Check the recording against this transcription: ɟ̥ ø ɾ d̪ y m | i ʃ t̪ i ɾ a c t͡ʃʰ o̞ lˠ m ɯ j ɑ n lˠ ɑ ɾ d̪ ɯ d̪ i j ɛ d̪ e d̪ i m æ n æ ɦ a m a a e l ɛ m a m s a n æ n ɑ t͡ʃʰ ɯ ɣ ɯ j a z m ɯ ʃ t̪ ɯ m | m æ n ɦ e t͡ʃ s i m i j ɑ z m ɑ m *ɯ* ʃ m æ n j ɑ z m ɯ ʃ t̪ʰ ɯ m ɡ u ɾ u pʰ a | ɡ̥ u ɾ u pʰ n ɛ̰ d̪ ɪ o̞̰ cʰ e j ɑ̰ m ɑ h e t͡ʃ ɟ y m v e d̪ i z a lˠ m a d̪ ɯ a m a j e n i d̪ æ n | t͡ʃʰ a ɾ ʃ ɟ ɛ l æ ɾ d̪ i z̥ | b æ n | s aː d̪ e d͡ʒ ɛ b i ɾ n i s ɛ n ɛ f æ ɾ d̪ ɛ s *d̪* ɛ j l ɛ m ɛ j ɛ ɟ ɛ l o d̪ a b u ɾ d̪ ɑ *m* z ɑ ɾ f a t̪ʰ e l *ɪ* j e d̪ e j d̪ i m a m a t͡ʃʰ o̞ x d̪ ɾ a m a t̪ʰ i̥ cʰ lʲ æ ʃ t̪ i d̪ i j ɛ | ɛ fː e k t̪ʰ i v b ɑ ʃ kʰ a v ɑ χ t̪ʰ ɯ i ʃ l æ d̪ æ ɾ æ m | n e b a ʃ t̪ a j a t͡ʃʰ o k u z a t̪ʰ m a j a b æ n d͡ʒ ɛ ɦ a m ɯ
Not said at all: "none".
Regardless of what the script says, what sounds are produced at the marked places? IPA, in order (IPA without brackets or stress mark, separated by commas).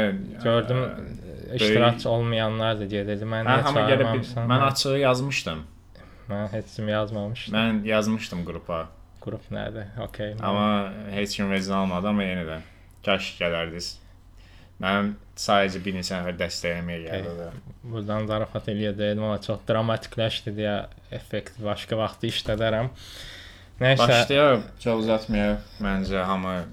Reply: ɯ, t̪, n, i